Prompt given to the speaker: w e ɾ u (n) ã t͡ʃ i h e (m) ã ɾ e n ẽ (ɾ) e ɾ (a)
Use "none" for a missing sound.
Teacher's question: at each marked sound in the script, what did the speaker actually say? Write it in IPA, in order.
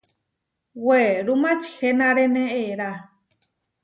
m, n, none, a

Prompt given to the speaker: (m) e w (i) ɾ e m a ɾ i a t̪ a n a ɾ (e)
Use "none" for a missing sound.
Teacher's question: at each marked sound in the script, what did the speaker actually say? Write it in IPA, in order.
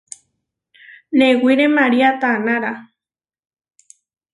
n, i, a

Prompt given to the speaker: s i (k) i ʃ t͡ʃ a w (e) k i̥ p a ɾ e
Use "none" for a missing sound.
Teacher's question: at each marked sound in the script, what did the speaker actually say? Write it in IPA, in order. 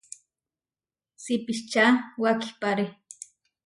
p, a

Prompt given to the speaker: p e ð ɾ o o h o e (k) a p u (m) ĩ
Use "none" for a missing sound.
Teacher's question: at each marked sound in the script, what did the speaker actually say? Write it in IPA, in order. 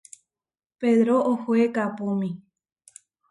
k, m

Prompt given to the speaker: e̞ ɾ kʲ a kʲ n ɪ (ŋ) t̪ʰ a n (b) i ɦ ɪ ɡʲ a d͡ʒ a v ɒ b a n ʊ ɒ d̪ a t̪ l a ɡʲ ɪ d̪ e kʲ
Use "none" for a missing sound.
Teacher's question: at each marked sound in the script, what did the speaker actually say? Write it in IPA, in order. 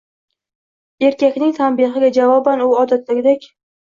ŋ, b

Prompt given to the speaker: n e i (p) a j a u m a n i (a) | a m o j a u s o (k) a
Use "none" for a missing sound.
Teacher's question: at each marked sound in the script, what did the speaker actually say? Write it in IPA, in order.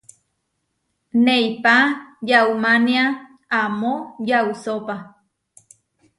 p, a, p

